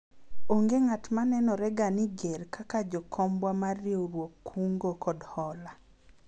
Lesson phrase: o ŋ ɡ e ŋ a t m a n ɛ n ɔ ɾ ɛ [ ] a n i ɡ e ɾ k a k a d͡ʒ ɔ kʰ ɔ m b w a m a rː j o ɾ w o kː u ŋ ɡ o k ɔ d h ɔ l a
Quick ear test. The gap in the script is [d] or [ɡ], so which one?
ɡ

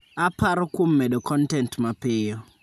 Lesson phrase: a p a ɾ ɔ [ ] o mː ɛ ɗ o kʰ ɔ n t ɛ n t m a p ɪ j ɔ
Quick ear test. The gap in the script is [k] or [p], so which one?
k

